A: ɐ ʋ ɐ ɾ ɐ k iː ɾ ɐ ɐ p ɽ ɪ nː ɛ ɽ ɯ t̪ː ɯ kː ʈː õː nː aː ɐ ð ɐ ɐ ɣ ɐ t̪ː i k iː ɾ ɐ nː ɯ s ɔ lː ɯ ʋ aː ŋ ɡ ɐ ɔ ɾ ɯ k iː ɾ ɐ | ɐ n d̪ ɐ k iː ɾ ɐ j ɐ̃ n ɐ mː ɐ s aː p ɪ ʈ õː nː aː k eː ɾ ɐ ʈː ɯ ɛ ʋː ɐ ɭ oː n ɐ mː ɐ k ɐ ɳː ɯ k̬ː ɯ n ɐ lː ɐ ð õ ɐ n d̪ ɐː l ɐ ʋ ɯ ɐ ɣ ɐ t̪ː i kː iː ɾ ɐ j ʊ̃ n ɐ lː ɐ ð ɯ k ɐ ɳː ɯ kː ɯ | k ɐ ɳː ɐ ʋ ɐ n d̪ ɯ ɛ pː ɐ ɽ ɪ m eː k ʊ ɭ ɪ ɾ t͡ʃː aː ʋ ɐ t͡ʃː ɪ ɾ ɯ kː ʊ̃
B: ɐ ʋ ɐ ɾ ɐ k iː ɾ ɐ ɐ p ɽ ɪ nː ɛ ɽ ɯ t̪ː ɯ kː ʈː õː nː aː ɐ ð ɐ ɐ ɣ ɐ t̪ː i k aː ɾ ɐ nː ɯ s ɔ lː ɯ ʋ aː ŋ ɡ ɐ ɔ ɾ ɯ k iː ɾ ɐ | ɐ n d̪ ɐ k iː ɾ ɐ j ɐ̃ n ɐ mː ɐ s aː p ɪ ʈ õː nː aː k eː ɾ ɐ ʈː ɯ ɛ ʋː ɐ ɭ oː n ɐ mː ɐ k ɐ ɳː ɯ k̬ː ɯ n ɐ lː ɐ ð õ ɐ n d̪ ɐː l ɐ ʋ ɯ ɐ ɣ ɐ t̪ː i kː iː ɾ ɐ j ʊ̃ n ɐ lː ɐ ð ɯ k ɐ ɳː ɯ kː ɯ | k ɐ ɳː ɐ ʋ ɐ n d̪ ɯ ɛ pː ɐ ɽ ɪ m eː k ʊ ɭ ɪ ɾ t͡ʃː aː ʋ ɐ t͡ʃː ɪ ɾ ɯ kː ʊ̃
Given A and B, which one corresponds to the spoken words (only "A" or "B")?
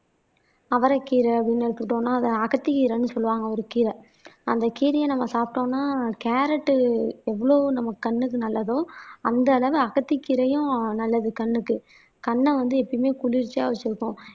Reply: A